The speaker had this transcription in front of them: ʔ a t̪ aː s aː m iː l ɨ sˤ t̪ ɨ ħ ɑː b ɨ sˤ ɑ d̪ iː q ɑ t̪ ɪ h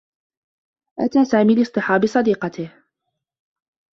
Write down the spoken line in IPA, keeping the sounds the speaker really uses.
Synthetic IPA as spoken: ʔ a t̪ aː s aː m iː l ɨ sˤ t̪ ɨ ħ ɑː b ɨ sˤ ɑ d̪ iː q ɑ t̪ ɪ h